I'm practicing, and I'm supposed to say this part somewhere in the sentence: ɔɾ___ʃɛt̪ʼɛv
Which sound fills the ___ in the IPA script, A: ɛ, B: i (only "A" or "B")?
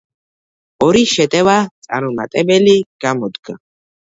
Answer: B